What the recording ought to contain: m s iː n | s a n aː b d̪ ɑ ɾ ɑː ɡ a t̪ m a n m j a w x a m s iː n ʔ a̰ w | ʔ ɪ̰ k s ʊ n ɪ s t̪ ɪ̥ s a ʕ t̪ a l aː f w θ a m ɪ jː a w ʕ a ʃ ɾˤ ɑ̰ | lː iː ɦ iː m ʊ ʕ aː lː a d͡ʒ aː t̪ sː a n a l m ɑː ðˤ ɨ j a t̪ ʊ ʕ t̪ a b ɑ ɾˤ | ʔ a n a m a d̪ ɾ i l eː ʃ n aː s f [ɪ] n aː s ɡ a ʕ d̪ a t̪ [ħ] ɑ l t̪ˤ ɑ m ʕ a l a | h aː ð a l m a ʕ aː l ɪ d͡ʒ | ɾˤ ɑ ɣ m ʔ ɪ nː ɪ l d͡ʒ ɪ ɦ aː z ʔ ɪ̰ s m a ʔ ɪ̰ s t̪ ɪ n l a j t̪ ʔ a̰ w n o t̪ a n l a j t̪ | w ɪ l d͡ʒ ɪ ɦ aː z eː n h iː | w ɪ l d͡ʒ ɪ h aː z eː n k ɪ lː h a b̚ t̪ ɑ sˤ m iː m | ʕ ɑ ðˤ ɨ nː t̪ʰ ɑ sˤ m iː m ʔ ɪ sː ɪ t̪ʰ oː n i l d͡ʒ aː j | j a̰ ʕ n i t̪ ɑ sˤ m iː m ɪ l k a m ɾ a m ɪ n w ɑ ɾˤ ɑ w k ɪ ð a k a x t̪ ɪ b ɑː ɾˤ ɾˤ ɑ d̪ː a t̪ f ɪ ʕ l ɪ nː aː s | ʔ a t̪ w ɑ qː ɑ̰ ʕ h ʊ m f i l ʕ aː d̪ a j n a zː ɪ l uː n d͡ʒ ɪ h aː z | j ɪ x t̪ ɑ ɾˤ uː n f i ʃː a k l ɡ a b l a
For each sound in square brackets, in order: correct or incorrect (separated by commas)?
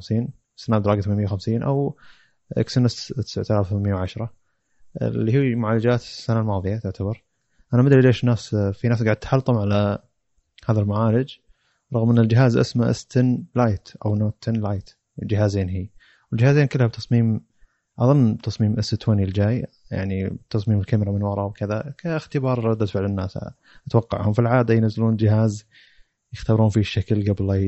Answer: incorrect, correct